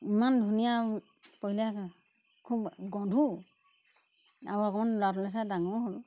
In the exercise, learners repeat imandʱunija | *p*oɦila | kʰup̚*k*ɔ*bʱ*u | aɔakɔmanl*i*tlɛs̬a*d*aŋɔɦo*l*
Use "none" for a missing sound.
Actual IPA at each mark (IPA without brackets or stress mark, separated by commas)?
p, ɡ, dʱ, a, d, l